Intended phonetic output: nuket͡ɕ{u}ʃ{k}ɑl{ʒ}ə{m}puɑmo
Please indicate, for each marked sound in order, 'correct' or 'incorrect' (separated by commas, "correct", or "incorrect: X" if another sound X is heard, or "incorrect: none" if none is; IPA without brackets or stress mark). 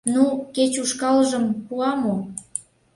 correct, correct, correct, correct